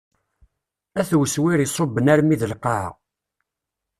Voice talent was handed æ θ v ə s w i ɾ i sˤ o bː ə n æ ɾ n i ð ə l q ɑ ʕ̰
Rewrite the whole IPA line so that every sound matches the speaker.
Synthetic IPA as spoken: æ θ w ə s w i ɾ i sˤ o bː ə n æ ɾ m i ð ə l q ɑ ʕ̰